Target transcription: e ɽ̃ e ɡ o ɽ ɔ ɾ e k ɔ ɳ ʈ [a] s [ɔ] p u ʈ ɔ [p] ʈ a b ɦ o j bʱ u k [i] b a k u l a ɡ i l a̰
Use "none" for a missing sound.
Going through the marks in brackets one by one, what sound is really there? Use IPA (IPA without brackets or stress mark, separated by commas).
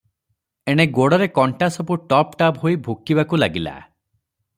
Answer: a, ɔ, p, i